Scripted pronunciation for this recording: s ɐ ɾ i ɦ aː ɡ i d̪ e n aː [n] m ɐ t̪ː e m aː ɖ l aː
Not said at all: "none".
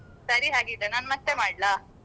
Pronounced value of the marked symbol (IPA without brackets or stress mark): n